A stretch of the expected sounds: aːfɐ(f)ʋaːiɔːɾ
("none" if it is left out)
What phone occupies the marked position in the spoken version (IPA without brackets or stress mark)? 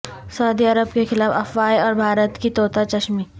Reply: f